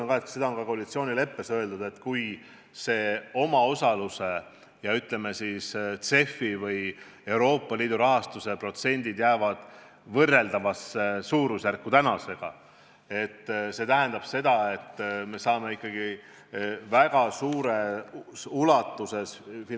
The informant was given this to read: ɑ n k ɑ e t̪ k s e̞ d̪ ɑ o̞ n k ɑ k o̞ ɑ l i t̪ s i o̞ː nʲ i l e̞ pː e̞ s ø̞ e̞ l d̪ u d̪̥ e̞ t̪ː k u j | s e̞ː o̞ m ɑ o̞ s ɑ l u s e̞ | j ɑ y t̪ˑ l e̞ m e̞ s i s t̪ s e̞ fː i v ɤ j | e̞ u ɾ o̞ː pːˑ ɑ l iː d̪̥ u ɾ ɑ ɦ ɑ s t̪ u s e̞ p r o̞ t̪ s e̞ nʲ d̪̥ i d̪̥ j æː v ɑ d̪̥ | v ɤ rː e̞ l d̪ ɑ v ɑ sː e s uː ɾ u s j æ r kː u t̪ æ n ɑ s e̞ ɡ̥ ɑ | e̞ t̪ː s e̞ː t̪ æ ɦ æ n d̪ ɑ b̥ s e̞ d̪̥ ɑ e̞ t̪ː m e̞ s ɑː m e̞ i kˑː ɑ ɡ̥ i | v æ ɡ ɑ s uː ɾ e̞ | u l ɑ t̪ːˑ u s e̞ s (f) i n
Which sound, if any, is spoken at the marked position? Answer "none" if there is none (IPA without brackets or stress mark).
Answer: f